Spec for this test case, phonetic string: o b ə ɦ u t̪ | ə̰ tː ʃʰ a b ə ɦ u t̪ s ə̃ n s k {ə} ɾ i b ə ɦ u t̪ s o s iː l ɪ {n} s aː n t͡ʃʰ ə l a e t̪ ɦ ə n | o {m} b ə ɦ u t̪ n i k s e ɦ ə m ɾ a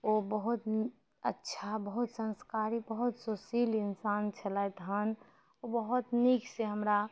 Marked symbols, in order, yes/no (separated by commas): no, yes, no